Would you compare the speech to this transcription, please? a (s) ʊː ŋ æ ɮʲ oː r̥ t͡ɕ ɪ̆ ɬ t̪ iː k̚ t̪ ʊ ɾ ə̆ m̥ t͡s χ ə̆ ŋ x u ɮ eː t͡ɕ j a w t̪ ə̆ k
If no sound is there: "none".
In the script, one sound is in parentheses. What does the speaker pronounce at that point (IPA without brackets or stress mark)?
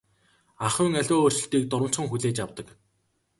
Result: χ